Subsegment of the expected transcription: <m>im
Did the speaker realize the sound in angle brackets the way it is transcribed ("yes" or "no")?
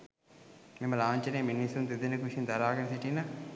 yes